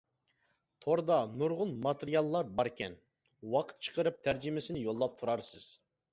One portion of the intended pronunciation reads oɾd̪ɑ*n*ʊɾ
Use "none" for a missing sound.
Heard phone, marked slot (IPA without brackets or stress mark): n